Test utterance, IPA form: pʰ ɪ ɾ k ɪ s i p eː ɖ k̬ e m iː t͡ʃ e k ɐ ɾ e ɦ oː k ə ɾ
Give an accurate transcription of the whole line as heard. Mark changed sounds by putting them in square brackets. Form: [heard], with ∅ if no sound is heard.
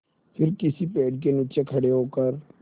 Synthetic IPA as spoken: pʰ ɪ ɾ k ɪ s i p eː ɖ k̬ e [n] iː t͡ʃ e [kʰ] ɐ [ɽ] e ɦ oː k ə ɾ